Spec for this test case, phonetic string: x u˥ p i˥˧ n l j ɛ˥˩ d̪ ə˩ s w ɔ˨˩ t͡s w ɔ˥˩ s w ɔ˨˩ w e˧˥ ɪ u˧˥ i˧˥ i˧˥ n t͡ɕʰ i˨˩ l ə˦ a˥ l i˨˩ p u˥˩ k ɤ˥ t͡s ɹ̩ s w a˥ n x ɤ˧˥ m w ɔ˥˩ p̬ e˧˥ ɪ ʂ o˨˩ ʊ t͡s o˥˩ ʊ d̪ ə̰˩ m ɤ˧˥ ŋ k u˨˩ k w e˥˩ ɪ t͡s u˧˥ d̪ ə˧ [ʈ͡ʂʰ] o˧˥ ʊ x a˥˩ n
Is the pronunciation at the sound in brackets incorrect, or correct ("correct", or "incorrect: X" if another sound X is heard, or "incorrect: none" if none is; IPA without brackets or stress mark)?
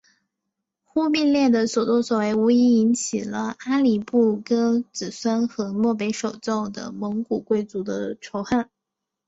correct